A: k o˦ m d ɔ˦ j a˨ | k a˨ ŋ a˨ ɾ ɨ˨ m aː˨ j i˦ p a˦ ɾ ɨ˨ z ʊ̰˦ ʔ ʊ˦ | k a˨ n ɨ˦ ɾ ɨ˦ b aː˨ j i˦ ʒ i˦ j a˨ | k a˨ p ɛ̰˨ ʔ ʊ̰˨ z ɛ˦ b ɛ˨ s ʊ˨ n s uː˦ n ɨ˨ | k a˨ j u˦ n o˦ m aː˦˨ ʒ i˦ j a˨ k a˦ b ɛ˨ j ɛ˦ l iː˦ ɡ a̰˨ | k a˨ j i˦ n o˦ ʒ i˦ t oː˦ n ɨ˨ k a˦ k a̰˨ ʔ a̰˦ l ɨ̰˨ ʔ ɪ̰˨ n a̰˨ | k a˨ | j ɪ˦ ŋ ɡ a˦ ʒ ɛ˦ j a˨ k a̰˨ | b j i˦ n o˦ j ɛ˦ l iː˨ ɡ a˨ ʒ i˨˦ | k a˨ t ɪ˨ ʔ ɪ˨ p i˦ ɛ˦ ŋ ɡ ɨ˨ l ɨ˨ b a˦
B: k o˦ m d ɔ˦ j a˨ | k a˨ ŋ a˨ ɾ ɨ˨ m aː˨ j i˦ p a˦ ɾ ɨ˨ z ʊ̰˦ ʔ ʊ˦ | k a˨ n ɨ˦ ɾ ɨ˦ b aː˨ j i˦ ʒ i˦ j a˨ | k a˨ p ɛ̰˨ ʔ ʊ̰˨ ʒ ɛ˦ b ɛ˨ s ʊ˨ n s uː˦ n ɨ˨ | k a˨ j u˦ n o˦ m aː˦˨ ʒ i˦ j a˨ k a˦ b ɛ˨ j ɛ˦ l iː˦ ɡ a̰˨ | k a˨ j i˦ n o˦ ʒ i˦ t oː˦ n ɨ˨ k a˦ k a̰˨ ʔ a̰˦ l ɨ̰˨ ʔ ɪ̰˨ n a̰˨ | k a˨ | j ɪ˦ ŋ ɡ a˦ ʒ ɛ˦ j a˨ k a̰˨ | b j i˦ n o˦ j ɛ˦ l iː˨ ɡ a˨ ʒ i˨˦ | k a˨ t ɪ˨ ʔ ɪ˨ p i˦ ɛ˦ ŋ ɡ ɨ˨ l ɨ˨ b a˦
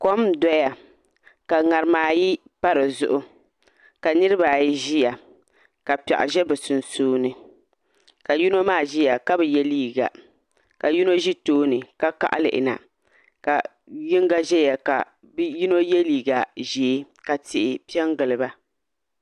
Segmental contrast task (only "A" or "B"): B